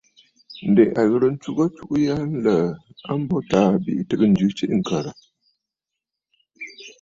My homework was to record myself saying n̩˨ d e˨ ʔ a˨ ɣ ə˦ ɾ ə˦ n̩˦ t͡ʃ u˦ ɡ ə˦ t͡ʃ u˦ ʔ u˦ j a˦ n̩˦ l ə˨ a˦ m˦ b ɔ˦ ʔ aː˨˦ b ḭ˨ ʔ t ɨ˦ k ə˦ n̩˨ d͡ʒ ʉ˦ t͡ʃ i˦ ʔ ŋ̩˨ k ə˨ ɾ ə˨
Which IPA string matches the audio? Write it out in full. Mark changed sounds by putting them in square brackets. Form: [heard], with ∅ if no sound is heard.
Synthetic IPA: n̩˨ d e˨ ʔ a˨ ɣ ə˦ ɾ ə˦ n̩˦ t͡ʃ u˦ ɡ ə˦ t͡ʃ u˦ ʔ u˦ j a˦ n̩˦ l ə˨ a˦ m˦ b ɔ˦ [t] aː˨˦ b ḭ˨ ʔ t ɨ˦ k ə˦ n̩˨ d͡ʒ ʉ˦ t͡ʃ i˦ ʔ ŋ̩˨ k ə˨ ɾ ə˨